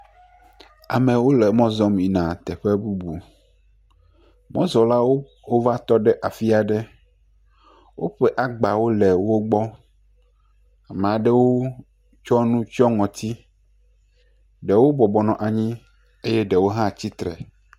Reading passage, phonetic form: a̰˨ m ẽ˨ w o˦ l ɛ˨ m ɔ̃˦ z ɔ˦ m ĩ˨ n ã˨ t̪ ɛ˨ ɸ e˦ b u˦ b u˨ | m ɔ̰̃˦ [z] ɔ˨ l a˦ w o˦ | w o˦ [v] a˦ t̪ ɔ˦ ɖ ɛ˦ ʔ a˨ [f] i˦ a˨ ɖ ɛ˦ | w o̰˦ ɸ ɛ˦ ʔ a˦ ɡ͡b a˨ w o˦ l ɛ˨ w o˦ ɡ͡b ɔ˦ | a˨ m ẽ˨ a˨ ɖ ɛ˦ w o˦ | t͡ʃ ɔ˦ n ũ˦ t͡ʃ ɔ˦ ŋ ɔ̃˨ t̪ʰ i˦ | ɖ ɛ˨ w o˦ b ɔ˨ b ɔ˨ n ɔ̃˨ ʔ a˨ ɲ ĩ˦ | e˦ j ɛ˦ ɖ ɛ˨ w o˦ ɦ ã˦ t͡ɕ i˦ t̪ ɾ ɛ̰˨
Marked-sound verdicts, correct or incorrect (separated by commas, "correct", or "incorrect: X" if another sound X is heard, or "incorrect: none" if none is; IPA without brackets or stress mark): correct, correct, correct